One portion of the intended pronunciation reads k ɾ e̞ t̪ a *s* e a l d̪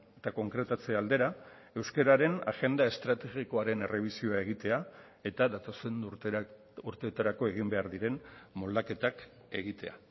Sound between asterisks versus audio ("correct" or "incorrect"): incorrect